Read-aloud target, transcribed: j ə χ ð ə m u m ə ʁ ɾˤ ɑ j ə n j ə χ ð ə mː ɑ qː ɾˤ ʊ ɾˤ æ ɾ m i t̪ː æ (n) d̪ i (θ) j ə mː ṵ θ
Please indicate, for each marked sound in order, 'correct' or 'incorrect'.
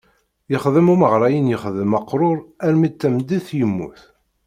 incorrect: m, correct

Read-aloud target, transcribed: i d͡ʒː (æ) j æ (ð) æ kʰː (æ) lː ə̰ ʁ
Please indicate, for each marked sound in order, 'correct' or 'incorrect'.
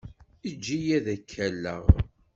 incorrect: i, correct, correct

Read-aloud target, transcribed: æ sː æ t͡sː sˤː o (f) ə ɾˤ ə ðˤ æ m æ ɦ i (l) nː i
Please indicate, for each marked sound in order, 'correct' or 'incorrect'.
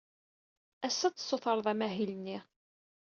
incorrect: θ, correct

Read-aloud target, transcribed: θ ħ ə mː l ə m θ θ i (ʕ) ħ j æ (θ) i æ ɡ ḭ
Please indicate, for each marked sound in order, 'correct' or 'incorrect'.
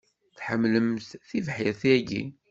incorrect: v, correct

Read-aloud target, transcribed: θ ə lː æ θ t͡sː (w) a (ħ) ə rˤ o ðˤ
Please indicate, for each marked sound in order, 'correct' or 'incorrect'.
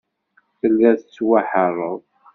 correct, correct

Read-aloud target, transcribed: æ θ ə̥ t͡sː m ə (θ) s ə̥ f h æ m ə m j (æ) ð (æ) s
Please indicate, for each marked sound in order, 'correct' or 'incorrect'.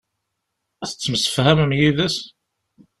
incorrect: none, incorrect: i, correct

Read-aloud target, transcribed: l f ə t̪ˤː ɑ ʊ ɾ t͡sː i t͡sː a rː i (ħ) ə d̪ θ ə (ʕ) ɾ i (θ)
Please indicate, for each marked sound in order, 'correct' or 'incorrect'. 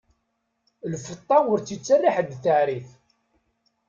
correct, correct, correct

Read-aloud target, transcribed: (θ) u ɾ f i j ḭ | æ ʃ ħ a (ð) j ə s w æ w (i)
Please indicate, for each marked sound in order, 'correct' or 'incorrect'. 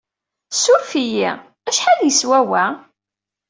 incorrect: s, correct, incorrect: æ

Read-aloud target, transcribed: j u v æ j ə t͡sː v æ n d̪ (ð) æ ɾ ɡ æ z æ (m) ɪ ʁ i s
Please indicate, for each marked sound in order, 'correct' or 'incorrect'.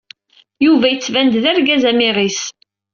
correct, correct

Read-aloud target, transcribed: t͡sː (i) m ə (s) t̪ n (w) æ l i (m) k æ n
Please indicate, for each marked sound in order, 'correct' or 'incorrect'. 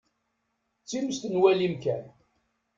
correct, correct, correct, correct

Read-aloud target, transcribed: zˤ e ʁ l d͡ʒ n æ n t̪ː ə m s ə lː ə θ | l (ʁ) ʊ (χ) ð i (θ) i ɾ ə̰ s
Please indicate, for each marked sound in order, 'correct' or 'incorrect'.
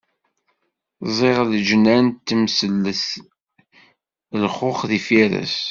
incorrect: χ, correct, incorrect: f

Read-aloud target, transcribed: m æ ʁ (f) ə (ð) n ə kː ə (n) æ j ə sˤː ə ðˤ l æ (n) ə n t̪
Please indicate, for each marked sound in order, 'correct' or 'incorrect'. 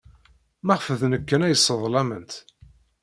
correct, correct, correct, incorrect: m

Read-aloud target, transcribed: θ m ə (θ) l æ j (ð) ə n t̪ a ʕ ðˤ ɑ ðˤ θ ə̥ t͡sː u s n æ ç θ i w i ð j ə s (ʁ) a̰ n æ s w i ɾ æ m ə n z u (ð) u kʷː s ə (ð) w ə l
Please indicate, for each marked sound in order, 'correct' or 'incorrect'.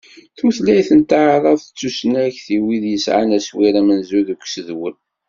correct, incorrect: θ, incorrect: ʕ, correct, correct

